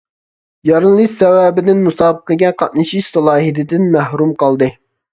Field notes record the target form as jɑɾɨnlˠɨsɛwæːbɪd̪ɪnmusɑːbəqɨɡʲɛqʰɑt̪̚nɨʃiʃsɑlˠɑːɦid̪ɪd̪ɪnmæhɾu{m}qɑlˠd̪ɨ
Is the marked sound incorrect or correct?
correct